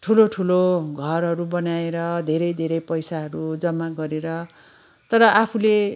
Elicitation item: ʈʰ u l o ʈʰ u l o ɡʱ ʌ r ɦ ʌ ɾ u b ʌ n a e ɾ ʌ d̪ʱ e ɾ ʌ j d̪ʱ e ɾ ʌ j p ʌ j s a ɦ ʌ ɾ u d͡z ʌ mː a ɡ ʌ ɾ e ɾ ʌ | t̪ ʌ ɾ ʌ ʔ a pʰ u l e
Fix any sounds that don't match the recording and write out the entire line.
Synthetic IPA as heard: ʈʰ u l o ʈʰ u l o ɡʱ ʌ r ɦ ʌ ɾ u b ʌ n a e ɾ ʌ d̪ʱ e ɾ ʌ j d̪ʱ e ɾ ʌ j p ʌ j s a ɦ ʌ ɾ u d͡z ʌ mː a ɡ ʌ ɾ e ɾ ʌ | t̪ ʌ ɾ ʌ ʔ a pʰ u l e